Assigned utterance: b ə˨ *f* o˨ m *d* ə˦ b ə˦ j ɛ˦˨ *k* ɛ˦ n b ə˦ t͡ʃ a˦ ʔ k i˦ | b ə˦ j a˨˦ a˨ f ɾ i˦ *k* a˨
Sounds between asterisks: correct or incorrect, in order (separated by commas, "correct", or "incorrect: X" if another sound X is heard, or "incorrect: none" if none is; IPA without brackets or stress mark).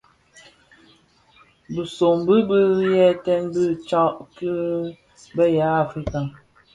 incorrect: s, incorrect: b, incorrect: t, correct